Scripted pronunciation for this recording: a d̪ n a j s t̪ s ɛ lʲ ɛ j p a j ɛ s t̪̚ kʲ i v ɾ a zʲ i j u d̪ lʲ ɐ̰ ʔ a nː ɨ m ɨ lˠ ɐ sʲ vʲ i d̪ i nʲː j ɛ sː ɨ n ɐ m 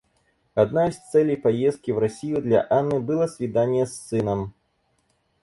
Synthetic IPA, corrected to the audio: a d̪ n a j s t̪ s ɛ lʲ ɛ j p a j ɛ s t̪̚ kʲ i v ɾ a sʲ i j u d̪ lʲ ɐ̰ ʔ a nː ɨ b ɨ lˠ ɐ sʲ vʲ i d̪ a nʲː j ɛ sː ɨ n ɐ m